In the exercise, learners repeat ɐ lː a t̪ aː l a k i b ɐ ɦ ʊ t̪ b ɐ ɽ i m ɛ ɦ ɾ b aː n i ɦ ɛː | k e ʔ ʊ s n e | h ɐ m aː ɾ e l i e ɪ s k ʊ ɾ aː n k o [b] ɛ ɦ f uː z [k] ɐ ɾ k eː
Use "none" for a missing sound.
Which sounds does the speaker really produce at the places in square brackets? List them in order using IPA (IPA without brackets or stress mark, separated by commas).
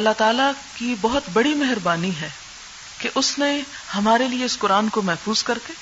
m, k